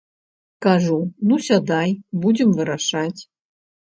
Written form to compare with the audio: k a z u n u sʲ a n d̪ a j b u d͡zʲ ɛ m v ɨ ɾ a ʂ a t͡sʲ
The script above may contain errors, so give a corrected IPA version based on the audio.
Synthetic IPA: k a ʐ u n u sʲ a d̪ a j b u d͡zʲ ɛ m v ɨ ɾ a ʂ a t͡sʲ